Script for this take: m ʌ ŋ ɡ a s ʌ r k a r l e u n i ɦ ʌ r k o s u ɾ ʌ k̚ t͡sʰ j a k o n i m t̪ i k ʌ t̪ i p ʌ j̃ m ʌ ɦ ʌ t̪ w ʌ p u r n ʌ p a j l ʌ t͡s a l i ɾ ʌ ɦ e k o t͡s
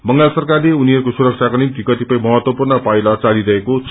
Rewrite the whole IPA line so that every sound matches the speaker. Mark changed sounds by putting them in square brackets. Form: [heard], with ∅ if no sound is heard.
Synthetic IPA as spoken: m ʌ ŋ ɡ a s ʌ r k a r l e u n i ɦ ʌ r k o s u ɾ ʌ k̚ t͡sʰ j a k o n i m t̪ i k ʌ t̪ i p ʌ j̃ m ʌ ɦ ʌ t̪ w ʌ p u r n ʌ p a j l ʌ t͡s a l i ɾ ʌ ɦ e k o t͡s